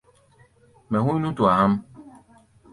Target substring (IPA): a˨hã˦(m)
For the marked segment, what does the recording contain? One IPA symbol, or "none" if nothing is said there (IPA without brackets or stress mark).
m